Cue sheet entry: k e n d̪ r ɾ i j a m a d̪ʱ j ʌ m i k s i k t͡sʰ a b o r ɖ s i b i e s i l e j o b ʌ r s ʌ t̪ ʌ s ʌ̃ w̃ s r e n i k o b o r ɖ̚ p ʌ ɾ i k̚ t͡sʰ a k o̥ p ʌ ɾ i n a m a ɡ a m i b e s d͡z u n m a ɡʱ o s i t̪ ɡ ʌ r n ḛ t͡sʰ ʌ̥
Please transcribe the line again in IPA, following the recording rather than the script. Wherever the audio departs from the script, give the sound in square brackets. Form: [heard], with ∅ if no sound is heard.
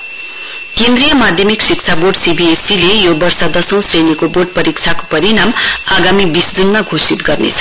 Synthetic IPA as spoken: k e n d̪ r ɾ i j [ʌ] m a d̪ʱ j ʌ m i k s i k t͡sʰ a b o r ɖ s i b i e s i l e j o b ʌ r s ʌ [d̪] ʌ s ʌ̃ w̃ s r e n i k o b o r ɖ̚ p ʌ ɾ i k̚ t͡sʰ a k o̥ p ʌ ɾ i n a m a ɡ a m i b [i] s d͡z u n m a ɡʱ o s i t̪ ɡ ʌ r n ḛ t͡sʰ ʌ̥